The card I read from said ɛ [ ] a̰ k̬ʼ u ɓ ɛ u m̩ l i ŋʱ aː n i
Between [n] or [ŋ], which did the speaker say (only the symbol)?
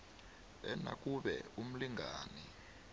n